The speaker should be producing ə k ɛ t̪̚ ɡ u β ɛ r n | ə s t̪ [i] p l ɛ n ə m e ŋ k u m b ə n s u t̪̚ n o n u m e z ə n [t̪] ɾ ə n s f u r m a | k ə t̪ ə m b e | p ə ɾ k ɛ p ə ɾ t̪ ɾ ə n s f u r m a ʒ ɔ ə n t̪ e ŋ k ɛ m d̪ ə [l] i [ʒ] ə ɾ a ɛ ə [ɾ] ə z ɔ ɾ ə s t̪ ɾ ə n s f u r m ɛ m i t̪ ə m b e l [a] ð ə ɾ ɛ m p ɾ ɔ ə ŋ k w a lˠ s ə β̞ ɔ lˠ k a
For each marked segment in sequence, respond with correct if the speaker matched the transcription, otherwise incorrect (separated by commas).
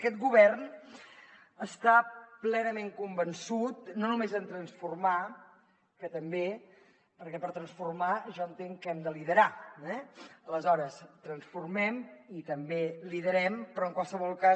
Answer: incorrect, correct, correct, incorrect, incorrect, incorrect